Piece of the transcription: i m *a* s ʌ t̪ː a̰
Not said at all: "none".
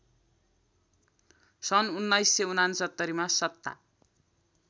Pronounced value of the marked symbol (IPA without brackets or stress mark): a